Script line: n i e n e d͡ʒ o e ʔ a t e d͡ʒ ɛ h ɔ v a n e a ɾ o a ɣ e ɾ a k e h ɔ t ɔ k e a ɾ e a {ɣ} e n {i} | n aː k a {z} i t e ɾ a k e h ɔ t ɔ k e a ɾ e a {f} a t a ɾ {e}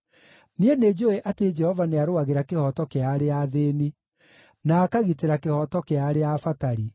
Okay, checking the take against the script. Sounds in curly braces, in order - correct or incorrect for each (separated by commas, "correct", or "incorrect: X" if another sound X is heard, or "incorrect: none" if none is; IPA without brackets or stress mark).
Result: incorrect: ð, correct, incorrect: ɣ, correct, incorrect: i